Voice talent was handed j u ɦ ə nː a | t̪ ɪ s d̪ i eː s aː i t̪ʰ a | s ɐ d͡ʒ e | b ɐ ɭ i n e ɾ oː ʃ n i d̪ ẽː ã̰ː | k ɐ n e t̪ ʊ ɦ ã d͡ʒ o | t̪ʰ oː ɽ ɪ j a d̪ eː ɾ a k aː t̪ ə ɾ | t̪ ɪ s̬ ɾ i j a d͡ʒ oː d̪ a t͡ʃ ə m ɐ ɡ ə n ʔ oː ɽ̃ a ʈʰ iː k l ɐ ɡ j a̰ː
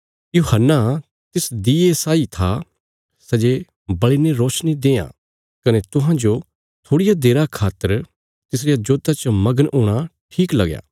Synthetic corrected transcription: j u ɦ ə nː a | t̪ ɪ s d̪ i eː s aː i t̪ʰ a | s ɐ d͡ʒ e | b ɐ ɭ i n e ɾ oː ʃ n i d̪ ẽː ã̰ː | k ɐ n e t̪ ʊ ɦ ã d͡ʒ o | t̪ʰ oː ɽ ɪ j a d̪ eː ɾ a kʰ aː t̪ ə ɾ | t̪ ɪ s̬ ɾ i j a d͡ʒ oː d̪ a t͡ʃ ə m ɐ ɡ ə n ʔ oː ɽ̃ a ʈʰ iː k l ɐ ɡ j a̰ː

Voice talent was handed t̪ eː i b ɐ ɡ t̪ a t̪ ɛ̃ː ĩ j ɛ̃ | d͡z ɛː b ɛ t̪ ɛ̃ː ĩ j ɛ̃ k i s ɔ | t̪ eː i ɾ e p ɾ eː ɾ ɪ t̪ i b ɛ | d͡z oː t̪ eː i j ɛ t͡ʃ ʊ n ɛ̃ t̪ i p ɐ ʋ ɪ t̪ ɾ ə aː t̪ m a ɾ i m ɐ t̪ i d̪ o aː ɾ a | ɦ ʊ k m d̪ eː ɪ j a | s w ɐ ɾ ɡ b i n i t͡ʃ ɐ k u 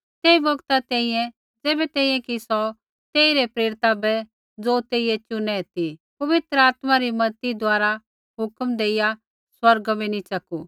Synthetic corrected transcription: t̪ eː i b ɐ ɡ t̪ a t̪ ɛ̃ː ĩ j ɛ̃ | d͡z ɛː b ɛ t̪ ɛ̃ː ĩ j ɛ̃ k i s ɔ | t̪ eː i ɾ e p ɾ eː ɾ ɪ t̪ a b ɛ | d͡z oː t̪ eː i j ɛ t͡ʃ ʊ n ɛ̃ t̪ i p ɐ ʋ ɪ t̪ ɾ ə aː t̪ m a ɾ i m ɐ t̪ i d̪ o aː ɾ a | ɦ ʊ k m d̪ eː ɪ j a | s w ɐ ɾ ɡ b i n i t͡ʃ ɐ k u

